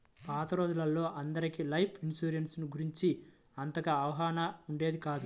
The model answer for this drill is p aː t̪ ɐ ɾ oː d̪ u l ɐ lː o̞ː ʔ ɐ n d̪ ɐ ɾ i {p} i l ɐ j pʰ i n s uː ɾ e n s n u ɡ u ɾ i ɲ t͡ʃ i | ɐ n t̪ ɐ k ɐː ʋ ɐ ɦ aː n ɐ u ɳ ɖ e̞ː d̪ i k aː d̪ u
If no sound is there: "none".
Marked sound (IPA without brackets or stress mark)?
k